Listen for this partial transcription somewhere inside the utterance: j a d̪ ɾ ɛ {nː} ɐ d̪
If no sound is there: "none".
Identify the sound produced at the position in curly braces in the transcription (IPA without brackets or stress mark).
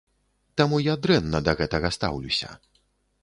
nː